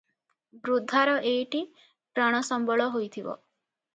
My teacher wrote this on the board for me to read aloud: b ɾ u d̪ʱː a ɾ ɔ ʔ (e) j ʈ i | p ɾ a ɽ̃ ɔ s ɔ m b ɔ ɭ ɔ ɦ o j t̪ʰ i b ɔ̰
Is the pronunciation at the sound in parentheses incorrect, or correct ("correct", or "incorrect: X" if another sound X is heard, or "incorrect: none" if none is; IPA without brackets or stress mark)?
correct